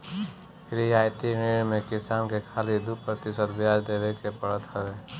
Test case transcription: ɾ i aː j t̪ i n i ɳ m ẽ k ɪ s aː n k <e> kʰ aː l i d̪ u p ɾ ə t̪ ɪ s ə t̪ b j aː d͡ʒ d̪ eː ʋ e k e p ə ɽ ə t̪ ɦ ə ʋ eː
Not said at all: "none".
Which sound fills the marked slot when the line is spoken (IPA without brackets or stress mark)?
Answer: e